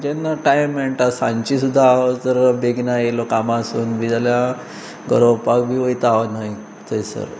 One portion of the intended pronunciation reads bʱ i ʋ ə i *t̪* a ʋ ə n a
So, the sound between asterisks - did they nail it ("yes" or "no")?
yes